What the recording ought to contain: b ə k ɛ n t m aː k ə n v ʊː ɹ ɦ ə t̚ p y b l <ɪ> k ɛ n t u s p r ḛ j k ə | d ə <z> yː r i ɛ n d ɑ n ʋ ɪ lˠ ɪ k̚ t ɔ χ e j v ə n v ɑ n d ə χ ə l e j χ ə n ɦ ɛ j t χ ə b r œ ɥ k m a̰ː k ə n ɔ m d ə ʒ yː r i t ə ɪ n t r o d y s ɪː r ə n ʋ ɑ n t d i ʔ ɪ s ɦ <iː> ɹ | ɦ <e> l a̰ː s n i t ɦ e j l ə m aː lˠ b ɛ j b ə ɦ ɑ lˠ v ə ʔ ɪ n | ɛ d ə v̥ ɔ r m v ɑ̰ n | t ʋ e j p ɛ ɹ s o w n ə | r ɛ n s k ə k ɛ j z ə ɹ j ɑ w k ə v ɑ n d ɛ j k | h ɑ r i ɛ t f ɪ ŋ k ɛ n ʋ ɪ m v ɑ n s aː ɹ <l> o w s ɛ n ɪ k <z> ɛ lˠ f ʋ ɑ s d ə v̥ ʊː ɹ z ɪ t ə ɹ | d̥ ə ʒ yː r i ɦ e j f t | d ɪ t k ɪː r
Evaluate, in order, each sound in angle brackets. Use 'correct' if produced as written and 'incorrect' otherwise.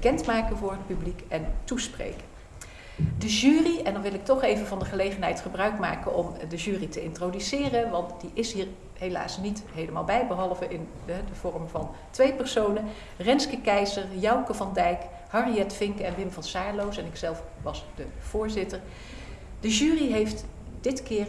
incorrect, incorrect, correct, correct, correct, incorrect

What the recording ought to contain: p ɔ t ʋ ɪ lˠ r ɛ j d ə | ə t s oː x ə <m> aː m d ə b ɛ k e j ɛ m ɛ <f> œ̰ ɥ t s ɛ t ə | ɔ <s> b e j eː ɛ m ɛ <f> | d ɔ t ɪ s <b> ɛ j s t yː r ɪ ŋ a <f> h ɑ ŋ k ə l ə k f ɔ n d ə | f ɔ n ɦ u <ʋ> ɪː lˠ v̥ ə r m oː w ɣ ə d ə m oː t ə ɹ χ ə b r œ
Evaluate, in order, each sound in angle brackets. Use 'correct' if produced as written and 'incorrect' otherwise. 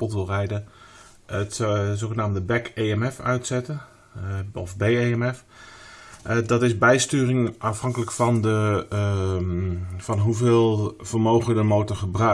incorrect, correct, incorrect, correct, correct, correct, incorrect

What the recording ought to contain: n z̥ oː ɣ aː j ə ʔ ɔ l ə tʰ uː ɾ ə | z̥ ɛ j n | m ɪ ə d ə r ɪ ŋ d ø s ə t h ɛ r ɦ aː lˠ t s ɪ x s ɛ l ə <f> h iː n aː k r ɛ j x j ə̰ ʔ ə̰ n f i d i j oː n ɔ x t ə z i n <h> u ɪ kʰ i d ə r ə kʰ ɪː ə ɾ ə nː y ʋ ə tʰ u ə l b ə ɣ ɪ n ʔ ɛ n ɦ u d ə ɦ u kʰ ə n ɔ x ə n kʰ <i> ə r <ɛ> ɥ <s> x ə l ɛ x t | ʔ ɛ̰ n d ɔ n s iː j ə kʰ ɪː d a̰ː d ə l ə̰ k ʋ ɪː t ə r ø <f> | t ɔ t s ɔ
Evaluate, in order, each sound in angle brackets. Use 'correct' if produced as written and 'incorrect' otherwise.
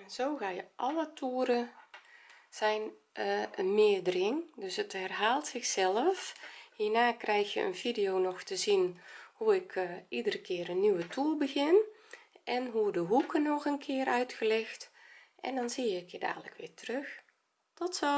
correct, correct, incorrect, incorrect, incorrect, incorrect

